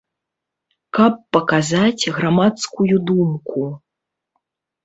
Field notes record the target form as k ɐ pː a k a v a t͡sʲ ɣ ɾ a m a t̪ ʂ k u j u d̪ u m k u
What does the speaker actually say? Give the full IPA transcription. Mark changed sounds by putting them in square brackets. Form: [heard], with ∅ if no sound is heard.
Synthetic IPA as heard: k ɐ pː [ɐ] k a [z] a t͡sʲ ɣ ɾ a m a t̪ [s] k u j u d̪ u m k u